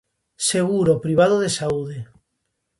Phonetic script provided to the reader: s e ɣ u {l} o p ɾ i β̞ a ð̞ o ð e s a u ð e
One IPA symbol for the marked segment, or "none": ɾ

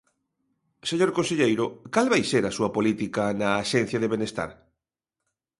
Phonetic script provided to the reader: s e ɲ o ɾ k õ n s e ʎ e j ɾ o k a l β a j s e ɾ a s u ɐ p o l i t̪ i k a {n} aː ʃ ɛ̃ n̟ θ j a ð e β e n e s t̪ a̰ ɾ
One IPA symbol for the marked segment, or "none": n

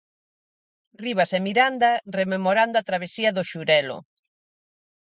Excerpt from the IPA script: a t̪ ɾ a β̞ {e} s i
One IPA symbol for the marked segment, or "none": e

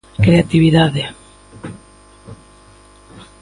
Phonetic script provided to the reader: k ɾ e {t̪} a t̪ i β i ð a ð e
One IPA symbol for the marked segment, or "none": none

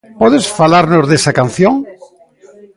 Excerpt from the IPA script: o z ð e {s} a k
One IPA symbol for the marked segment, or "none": s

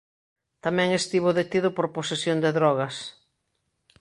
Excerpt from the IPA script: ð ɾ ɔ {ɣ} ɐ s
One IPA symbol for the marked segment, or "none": ɣ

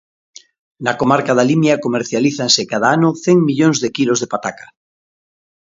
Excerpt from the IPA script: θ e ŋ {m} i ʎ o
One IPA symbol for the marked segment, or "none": m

